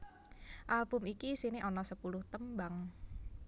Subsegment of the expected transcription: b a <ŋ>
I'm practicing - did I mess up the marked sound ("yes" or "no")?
no